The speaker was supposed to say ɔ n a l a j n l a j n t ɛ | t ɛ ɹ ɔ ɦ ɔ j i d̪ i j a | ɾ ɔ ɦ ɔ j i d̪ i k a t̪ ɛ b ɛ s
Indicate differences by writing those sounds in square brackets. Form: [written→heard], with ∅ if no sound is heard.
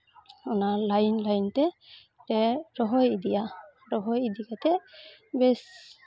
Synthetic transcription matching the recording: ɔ n a l a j n l a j n t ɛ | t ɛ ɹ ɔ ɦ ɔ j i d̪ i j a | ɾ ɔ ɦ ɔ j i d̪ i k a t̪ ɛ b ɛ s